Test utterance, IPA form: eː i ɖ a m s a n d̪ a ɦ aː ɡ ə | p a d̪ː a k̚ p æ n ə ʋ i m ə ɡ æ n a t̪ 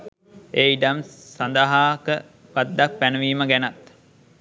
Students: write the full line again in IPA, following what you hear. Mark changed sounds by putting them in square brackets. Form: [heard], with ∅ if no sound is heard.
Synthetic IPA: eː i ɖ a m s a n d̪ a ɦ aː [k] ə | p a d̪ː a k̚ p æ n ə ʋ [iː] m ə ɡ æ n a t̪